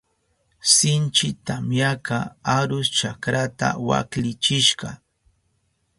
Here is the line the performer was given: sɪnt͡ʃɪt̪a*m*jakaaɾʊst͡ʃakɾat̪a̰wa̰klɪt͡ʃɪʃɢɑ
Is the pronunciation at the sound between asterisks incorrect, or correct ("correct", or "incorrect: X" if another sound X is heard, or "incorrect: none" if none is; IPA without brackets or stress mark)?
correct